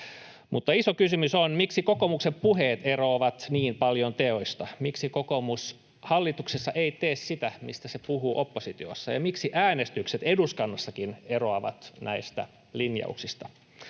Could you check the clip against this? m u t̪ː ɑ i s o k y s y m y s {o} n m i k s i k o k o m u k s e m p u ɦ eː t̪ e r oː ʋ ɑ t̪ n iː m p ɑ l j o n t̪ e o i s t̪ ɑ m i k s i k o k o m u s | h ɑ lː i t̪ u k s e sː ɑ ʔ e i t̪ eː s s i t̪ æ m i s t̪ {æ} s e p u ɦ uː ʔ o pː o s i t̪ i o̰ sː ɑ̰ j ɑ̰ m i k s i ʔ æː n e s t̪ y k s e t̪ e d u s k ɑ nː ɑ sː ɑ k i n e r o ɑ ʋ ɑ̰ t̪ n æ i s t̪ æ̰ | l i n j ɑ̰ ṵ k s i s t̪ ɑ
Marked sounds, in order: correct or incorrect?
correct, correct

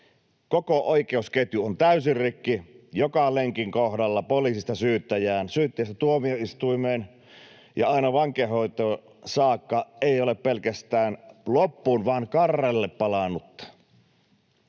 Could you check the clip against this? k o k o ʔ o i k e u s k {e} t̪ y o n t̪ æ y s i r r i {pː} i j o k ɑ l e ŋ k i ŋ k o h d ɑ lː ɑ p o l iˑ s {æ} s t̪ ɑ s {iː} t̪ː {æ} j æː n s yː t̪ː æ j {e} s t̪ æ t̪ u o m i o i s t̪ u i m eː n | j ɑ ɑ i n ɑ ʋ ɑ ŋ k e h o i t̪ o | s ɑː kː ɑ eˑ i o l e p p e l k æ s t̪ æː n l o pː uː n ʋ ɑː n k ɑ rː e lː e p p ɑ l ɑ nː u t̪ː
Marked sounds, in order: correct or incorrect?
correct, incorrect: kː, incorrect: i, incorrect: yː, correct, incorrect: æ

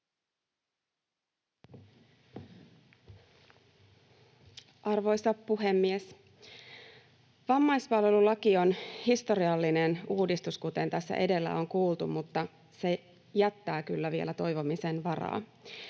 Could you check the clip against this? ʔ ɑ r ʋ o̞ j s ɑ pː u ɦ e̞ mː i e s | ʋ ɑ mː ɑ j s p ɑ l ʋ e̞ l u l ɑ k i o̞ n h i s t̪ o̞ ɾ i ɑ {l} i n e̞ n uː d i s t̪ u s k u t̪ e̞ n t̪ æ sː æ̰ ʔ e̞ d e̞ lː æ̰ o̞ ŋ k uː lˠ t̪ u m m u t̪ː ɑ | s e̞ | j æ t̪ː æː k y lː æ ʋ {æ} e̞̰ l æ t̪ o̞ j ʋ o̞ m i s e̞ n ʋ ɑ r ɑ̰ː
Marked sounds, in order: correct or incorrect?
incorrect: lː, incorrect: i

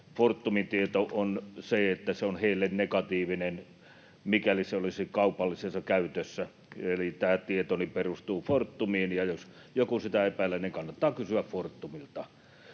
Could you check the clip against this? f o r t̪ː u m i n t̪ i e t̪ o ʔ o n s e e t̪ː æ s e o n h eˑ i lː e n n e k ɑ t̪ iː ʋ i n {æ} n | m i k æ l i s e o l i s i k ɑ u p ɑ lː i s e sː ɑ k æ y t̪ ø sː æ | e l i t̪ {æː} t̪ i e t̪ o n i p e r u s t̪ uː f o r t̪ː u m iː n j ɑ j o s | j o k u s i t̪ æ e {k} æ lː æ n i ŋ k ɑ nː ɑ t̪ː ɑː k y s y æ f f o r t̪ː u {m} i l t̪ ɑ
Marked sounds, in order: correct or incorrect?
incorrect: e, correct, incorrect: p, correct

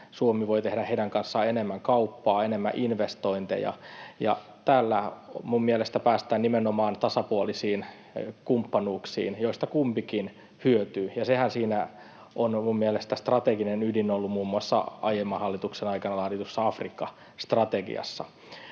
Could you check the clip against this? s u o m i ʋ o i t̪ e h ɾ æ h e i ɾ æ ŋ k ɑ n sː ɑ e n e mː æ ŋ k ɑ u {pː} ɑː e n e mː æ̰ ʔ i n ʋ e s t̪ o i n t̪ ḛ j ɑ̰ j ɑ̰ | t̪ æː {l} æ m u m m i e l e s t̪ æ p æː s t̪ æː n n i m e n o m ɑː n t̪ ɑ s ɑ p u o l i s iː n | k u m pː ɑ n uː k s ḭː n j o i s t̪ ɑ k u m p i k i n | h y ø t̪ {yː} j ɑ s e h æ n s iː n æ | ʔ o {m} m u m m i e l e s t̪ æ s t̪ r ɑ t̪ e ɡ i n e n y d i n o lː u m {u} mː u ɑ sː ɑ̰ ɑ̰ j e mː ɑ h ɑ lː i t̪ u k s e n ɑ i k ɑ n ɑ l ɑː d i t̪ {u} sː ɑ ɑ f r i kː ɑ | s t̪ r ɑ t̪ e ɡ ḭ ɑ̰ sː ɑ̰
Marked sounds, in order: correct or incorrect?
correct, incorrect: lː, correct, incorrect: n, incorrect: uː, correct

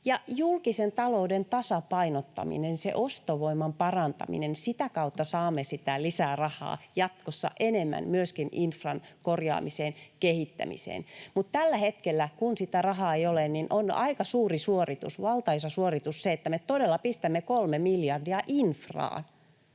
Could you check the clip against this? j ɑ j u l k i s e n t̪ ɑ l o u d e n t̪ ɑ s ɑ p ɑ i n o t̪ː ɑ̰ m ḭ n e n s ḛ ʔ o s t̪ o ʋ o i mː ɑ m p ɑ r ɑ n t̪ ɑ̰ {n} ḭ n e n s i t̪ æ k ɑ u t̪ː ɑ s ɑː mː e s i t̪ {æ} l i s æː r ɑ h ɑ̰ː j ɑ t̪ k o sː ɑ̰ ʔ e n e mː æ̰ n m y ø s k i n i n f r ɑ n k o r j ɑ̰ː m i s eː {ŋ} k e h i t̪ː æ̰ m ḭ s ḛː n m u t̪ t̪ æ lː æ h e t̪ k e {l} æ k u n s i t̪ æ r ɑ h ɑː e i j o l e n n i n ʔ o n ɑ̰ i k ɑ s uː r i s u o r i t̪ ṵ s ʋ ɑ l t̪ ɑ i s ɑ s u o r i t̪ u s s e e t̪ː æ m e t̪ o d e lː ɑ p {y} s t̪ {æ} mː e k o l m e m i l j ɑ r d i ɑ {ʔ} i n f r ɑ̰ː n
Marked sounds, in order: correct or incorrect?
incorrect: m, correct, incorrect: n, incorrect: lː, incorrect: i, correct, correct

